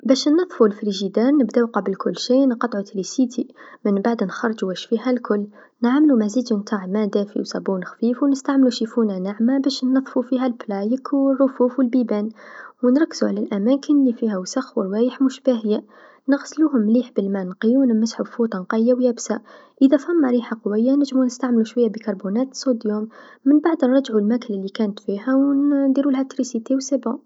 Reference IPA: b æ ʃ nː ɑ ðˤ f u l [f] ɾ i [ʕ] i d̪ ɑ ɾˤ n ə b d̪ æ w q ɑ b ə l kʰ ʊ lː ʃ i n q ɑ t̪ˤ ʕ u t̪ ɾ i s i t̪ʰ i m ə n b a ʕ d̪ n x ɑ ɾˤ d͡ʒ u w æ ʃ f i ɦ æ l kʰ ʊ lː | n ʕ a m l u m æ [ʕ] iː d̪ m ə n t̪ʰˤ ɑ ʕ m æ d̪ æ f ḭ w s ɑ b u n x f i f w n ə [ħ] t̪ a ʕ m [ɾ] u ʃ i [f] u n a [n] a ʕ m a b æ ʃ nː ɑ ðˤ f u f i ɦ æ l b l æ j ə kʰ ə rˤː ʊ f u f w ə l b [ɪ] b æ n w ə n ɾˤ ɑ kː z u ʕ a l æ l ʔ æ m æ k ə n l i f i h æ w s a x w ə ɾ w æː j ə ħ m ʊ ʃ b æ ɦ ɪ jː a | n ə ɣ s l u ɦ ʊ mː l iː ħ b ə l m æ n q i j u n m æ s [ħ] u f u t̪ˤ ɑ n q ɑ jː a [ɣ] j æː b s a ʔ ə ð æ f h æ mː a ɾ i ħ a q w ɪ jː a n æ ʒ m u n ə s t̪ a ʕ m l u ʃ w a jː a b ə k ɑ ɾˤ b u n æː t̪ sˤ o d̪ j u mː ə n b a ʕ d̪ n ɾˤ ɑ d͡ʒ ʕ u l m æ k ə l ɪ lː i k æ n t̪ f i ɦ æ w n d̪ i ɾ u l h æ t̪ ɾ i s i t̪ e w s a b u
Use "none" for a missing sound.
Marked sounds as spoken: f, ʒ, z, s, l, f, n, i, ħ, w

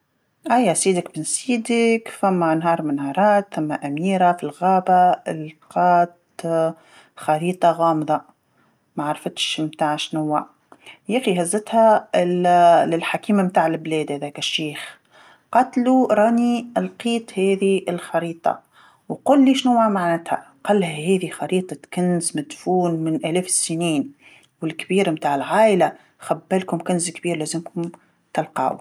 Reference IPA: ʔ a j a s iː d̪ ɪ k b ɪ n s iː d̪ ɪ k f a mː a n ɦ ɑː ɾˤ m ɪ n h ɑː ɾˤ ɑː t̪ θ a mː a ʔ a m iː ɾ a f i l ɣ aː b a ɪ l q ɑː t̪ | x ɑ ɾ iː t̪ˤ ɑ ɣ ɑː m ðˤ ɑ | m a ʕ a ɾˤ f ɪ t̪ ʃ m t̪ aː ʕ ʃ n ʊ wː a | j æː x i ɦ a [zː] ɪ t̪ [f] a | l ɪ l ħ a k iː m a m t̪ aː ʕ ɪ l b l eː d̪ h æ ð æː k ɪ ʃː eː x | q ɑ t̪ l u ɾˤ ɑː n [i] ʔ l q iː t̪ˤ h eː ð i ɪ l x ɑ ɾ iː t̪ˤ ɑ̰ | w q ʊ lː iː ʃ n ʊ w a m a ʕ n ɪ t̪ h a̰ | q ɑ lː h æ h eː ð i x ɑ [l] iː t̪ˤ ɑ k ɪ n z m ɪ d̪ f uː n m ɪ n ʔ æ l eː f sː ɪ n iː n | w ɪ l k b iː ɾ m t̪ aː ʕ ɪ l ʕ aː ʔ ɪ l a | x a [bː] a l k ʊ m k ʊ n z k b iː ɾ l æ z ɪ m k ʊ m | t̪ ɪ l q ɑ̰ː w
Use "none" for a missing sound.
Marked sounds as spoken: zː, h, i, ɾ, bː

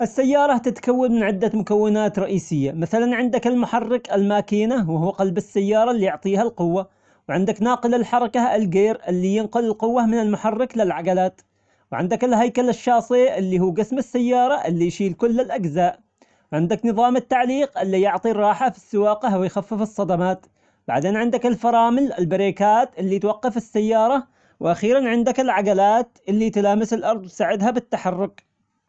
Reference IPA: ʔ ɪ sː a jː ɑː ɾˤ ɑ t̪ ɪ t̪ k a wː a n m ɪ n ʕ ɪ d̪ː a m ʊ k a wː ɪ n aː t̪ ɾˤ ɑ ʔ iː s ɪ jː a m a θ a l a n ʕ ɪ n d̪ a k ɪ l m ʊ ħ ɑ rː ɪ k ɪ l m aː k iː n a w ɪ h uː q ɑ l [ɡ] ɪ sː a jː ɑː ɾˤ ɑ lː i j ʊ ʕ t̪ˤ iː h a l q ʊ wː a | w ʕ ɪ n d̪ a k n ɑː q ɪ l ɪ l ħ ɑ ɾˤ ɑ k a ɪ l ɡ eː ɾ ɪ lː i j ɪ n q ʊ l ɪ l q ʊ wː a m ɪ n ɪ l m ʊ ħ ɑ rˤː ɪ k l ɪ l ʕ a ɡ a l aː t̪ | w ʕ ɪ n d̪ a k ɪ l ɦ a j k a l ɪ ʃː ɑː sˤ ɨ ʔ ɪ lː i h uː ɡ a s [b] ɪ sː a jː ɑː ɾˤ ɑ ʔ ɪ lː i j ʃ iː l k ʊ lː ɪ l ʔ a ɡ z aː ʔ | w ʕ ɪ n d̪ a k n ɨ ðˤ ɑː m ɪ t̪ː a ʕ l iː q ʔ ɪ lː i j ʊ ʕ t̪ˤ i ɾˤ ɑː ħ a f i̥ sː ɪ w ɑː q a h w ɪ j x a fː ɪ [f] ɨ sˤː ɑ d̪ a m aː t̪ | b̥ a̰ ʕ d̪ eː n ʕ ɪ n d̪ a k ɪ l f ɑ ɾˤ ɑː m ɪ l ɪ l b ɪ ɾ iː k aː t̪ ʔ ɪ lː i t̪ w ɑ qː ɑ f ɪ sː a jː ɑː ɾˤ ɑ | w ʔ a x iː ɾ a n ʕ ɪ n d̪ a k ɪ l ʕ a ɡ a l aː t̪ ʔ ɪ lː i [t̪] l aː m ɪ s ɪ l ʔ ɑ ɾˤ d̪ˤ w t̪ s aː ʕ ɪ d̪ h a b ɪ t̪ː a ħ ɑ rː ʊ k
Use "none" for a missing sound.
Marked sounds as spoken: b, m, f, t̪

